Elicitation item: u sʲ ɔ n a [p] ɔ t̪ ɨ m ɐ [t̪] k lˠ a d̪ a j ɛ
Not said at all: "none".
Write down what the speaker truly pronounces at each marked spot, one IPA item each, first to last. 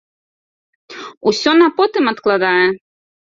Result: p, t̪

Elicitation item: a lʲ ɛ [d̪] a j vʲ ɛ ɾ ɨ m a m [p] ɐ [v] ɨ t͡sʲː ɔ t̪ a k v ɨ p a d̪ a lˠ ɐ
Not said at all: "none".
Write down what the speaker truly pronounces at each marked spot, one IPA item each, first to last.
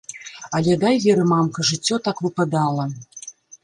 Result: d̪, k, ʐ

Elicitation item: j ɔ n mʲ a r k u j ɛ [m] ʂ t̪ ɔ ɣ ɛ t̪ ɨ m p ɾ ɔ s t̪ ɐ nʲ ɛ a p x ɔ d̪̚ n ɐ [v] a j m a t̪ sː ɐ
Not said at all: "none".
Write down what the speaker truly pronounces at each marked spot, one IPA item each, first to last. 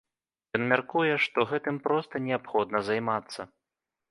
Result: none, z

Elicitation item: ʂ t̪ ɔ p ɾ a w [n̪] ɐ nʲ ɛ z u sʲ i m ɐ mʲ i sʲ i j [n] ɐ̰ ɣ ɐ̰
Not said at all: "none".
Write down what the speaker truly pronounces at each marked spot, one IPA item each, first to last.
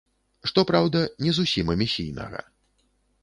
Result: d̪, n

